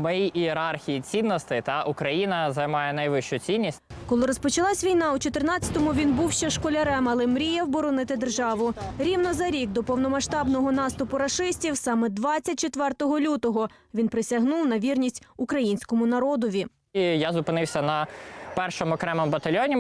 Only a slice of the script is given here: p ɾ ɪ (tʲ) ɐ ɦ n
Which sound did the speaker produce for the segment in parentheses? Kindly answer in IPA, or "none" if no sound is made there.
sʲ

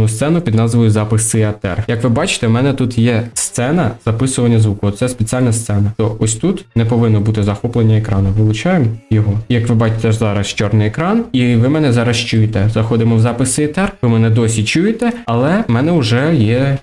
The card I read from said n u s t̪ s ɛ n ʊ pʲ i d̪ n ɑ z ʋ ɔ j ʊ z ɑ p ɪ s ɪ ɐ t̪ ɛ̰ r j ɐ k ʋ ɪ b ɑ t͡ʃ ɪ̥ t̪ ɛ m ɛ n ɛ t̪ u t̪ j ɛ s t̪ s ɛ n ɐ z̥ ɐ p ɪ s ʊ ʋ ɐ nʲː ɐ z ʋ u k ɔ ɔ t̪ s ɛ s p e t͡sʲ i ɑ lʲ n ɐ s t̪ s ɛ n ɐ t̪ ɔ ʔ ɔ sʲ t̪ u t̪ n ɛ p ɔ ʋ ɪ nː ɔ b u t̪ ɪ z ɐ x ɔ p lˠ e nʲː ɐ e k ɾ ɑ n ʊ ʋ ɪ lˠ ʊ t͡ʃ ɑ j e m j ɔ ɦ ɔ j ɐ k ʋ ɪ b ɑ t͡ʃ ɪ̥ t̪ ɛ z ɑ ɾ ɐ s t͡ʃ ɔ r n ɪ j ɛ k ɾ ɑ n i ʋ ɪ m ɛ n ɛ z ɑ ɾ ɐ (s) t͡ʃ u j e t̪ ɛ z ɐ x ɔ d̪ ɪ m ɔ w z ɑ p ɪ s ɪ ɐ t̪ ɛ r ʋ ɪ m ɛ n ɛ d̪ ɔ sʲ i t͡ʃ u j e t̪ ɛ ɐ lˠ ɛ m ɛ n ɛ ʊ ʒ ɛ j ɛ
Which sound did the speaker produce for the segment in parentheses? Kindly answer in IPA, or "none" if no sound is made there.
s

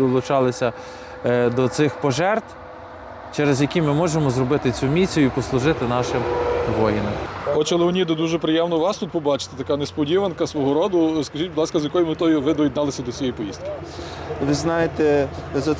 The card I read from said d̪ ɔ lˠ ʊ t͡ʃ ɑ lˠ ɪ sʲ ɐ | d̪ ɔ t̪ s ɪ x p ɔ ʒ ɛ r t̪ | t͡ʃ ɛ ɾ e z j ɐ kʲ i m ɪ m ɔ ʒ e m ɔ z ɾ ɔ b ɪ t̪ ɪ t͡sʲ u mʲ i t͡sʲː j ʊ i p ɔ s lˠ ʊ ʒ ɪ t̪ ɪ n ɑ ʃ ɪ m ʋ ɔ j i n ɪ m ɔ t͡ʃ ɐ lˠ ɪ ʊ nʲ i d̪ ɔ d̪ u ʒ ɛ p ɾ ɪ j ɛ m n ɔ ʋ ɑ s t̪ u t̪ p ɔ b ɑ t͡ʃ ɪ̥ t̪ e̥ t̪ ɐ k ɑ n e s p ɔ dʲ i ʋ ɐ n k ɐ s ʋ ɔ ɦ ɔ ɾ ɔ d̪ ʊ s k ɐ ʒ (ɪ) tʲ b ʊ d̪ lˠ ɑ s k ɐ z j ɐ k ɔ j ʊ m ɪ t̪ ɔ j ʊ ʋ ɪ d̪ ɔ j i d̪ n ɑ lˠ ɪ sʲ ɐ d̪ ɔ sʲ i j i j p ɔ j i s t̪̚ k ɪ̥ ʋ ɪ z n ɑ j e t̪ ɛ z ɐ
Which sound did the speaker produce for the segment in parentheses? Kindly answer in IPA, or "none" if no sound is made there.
i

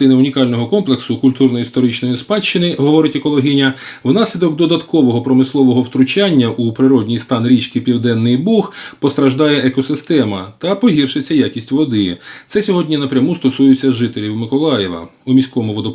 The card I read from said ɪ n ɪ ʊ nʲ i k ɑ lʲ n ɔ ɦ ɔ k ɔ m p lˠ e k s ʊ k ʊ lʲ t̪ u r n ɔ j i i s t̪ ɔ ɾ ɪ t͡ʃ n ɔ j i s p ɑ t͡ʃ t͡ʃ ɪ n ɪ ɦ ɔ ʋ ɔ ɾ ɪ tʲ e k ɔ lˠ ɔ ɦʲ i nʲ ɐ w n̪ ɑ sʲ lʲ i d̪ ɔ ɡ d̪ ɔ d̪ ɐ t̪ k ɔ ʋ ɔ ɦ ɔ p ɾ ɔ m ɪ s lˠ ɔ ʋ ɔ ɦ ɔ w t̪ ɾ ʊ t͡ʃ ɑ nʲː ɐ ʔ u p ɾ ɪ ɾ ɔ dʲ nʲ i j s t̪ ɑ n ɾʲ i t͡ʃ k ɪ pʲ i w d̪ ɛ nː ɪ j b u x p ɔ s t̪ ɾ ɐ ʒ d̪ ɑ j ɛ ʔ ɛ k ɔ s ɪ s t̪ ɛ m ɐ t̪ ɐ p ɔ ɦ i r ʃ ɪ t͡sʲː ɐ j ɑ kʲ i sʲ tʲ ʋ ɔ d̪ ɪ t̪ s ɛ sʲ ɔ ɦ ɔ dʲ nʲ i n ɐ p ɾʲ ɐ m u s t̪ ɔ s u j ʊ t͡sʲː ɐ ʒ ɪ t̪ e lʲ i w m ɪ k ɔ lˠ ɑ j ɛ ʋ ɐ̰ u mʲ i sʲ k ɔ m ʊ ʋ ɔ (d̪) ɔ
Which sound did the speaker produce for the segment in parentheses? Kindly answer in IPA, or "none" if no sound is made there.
d̪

